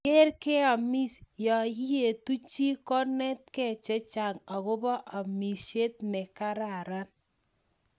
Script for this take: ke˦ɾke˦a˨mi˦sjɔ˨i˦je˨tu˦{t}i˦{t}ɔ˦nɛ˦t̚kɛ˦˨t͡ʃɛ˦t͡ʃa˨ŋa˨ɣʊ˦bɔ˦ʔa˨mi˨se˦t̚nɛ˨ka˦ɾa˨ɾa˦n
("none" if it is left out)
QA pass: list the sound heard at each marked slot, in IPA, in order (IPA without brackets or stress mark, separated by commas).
t͡ʃ, k